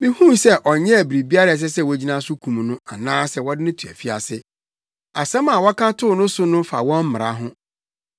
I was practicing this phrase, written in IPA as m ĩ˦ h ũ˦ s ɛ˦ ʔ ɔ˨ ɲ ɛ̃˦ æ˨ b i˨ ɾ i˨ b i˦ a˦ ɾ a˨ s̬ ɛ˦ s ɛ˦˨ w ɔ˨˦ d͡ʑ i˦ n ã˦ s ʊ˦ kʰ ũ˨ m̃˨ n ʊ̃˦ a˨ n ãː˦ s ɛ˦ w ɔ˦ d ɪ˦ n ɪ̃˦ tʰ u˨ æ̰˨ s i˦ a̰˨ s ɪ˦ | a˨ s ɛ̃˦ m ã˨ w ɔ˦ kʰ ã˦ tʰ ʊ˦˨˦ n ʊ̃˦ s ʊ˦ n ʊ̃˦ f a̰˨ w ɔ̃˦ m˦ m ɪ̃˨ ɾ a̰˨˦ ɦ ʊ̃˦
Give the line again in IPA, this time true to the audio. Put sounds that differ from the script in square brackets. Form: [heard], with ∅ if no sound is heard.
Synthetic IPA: m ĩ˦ h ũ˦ s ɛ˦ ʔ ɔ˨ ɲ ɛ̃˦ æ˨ b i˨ ɾ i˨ b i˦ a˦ ɾ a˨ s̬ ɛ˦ s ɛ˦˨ w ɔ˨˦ d͡ʑ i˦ n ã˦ s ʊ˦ kʰ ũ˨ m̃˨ n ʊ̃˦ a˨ n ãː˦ s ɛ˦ w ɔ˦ d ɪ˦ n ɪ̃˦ tʰ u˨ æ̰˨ [f] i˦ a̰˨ s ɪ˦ | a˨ s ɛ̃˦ m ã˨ w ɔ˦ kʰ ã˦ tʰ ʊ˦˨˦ n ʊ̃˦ s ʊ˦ n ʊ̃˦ f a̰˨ w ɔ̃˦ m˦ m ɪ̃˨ ɾ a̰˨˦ ɦ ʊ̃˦